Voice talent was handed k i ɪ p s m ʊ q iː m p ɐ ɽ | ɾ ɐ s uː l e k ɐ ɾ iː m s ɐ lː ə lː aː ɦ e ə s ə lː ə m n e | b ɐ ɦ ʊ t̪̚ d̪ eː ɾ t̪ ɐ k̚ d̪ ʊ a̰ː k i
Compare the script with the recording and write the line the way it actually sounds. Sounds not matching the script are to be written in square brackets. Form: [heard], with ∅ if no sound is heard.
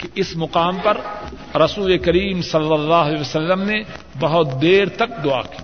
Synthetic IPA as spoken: k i ɪ [∅] s m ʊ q [aː] m p ɐ [ɾ] | ɾ ɐ s uː l e k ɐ ɾ iː m s ɐ lː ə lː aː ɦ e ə s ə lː ə m n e | b ɐ ɦ ʊ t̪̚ d̪ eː ɾ t̪ ɐ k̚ d̪ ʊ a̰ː k i